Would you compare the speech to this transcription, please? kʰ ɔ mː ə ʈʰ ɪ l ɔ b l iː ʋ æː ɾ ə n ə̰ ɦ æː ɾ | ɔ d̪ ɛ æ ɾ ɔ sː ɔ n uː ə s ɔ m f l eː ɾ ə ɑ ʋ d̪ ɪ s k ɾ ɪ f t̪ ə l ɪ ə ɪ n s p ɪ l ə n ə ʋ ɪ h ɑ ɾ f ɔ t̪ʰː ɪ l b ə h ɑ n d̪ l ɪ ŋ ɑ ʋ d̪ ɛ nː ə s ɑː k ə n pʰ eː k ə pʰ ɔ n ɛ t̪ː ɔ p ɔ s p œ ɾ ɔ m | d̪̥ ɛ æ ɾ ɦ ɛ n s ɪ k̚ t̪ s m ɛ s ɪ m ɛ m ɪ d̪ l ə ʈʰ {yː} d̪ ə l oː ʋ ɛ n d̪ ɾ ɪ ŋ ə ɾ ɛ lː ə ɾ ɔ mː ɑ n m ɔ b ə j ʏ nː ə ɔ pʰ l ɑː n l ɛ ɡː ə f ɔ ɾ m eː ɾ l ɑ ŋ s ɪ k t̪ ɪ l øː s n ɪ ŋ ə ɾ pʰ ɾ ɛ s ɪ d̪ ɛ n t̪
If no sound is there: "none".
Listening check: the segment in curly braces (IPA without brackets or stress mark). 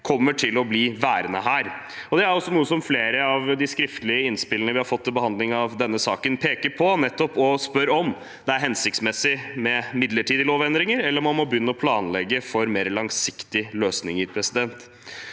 iː